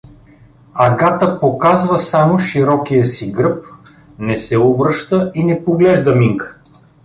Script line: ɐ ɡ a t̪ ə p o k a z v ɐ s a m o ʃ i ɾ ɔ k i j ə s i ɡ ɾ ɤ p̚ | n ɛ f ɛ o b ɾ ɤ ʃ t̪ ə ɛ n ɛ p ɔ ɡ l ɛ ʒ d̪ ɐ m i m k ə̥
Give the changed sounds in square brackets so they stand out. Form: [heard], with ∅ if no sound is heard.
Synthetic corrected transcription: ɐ ɡ a t̪ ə p o k a z v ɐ s a m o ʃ i ɾ ɔ k i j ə s i ɡ ɾ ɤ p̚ | n ɛ [s] ɛ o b ɾ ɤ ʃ t̪ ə [i] n ɛ p [o] ɡ l ɛ ʒ d̪ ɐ m i [ŋ] k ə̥

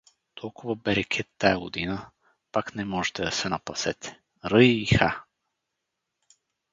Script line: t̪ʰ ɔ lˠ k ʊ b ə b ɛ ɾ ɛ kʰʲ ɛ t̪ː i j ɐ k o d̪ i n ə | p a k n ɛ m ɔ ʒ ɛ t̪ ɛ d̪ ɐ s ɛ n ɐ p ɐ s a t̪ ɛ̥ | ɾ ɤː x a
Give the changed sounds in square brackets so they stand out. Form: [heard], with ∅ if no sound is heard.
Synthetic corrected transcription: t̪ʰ ɔ lˠ k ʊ [v] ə b ɛ ɾ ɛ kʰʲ ɛ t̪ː [a] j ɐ [ɡ] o d̪ i n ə | p a k n ɛ m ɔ ʒ ɛ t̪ ɛ d̪ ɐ s ɛ n ɐ p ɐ s [ɛ] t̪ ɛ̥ | ɾ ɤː x a

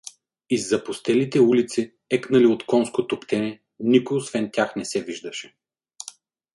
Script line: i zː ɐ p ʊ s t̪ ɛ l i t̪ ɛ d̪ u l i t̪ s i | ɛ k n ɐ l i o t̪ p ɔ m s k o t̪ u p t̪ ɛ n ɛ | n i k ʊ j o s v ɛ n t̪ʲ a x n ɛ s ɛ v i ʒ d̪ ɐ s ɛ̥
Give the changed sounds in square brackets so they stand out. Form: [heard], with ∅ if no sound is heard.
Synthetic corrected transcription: i zː ɐ p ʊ s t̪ ɛ l i t̪ ɛ [∅] u l i t̪ s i | ɛ k n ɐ l i o t̪ [k] ɔ [n] s k o t̪ [o] p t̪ ɛ n ɛ | n i k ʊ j o s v ɛ n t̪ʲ a x n ɛ s ɛ v i ʒ d̪ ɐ [ʃ] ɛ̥

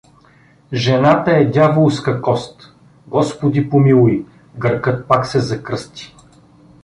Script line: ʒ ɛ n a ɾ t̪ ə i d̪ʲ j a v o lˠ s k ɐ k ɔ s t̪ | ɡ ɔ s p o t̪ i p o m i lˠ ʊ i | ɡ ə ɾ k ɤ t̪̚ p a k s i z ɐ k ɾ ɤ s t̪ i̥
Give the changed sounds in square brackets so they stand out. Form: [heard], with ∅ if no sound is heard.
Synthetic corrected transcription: ʒ ɛ n a [∅] t̪ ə [ɛ] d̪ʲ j a v o lˠ s k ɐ k ɔ s t̪ | ɡ ɔ s p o [d̪] i p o m i lˠ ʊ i | ɡ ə ɾ k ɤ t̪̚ p a k s [ɛ] z ɐ k ɾ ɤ s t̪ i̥

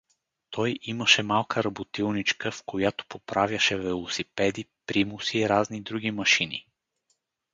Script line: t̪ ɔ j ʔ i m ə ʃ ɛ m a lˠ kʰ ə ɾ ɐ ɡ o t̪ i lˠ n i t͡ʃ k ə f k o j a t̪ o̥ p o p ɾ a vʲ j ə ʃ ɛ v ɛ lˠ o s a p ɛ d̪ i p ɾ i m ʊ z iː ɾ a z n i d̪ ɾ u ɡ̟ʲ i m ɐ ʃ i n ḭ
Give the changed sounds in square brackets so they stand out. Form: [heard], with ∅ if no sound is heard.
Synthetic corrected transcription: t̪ ɔ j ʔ i m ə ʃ ɛ m a lˠ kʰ ə ɾ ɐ [b] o t̪ i lˠ n i t͡ʃ k ə f k o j a t̪ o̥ p o p ɾ a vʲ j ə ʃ ɛ v ɛ lˠ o s [i] p ɛ d̪ i p ɾ i m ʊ [s] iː ɾ a z n i d̪ ɾ u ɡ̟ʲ i m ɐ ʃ i n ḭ

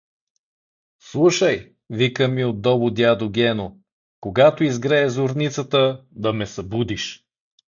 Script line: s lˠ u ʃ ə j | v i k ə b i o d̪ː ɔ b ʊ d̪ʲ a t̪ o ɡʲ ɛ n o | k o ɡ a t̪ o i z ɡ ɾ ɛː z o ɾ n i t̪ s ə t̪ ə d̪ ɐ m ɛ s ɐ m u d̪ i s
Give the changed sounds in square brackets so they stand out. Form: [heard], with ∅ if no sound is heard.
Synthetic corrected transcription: s lˠ u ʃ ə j | v i k ə [m] i o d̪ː ɔ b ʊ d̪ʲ a [d̪] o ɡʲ ɛ n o | k o ɡ a t̪ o i z ɡ ɾ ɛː z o ɾ n i t̪ s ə t̪ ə d̪ ɐ m ɛ s ɐ [b] u d̪ i [ʃ]

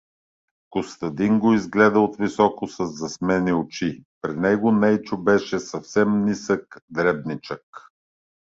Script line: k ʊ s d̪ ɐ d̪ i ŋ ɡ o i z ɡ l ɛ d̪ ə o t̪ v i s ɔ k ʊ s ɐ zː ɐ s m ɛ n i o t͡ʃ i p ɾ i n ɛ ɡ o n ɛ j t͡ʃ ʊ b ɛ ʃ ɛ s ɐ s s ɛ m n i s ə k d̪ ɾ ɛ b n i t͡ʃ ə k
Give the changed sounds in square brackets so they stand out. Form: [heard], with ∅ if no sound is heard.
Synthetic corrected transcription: k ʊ s [t̪] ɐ d̪ i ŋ ɡ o i z ɡ l ɛ d̪ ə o t̪ v i s ɔ k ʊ s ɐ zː ɐ s m ɛ n i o t͡ʃ i p ɾ i n ɛ ɡ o n ɛ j t͡ʃ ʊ b ɛ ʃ ɛ s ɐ [f] s ɛ m n i s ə k d̪ ɾ ɛ b n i t͡ʃ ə k

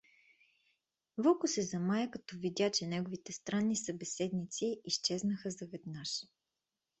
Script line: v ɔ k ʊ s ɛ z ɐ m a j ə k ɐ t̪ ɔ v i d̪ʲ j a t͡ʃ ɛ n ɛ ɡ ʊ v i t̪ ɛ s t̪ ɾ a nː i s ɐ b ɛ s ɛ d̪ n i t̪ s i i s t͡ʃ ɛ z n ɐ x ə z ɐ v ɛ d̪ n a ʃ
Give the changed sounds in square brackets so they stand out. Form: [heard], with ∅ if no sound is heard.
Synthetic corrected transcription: v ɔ k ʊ s ɛ z ɐ m a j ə k ɐ t̪ ɔ v i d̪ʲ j a t͡ʃ ɛ n ɛ ɡ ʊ v i t̪ ɛ s t̪ ɾ a nː i s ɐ b ɛ s ɛ d̪ n i t̪ s i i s t͡ʃ ɛ z n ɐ x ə z ɐ v ɛ d̪ n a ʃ

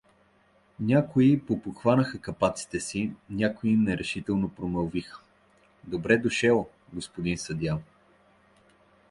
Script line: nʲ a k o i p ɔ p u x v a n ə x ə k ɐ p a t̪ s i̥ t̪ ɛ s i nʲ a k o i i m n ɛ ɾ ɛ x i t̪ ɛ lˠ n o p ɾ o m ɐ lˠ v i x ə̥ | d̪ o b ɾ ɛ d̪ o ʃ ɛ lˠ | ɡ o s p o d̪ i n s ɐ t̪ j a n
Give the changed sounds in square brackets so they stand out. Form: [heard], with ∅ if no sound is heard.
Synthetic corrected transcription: nʲ a k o i p [o] p [o] x v a n ə x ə k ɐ p a t̪ s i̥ t̪ ɛ s i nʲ a k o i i m n ɛ ɾ ɛ [ʃ] i t̪ ɛ lˠ n o p ɾ o m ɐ lˠ v i x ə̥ | d̪ o b ɾ ɛ d̪ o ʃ ɛ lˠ | ɡ o s p o d̪ i n s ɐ [d̪] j a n

